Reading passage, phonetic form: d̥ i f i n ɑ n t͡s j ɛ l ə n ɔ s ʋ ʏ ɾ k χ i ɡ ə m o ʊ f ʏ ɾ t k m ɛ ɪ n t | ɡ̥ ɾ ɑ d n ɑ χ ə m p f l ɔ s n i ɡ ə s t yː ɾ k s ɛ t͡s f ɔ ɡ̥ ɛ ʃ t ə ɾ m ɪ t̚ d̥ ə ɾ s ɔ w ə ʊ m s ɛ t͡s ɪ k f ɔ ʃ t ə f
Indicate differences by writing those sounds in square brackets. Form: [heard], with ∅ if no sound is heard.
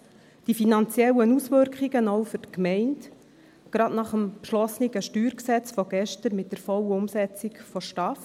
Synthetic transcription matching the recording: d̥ i f i n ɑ n t͡s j ɛ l ə n [u] s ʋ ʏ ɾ k χ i ɡ ə [n] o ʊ f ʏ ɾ t k m ɛ ɪ n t | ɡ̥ ɾ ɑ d n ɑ χ ə m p [ʃ] l ɔ s n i ɡ ə [ʃ] t yː ɾ k s ɛ t͡s f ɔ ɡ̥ ɛ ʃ t ə ɾ m ɪ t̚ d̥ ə ɾ [f] ɔ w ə ʊ m s ɛ t͡s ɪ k f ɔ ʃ t [ɑ] f